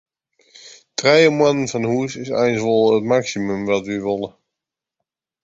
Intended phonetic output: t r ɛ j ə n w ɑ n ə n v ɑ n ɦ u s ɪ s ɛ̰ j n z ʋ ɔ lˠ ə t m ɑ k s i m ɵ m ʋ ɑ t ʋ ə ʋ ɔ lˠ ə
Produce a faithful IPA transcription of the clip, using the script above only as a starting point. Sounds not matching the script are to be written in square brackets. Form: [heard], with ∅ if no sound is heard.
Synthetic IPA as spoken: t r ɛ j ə [m] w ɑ n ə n v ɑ n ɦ u s ɪ s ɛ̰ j n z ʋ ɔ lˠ ə t m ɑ k s i m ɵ m ʋ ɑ t ʋ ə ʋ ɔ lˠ ə